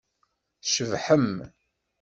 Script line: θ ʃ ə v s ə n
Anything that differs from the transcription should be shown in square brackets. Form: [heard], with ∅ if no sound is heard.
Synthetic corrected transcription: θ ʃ ə v [ħ] ə [m]